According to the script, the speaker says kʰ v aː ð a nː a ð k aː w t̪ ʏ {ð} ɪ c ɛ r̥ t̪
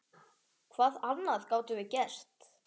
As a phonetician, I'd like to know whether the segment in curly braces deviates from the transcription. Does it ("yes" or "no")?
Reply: yes